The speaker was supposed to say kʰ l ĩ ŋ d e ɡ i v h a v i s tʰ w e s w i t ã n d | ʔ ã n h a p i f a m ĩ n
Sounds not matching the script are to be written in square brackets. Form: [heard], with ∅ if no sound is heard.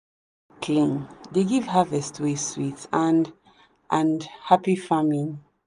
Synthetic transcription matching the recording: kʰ l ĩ ŋ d e ɡ i v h a v [ɛ] s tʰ w e s w i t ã n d | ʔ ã n h a p i f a m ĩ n